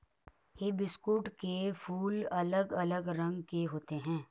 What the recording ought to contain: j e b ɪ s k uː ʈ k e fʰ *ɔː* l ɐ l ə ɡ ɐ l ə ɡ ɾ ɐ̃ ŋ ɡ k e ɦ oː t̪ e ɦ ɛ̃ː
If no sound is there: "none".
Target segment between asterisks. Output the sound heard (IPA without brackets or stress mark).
uː